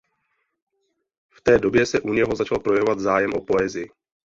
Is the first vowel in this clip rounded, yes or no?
no